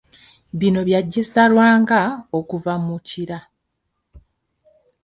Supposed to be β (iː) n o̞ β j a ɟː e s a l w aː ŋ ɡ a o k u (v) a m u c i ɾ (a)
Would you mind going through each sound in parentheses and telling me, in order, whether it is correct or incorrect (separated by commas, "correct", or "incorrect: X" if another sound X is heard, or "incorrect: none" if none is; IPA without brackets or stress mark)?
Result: incorrect: i, correct, correct